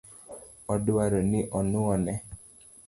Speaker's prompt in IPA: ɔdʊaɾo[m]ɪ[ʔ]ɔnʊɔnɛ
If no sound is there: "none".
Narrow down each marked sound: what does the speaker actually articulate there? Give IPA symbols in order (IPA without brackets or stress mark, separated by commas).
n, ʔ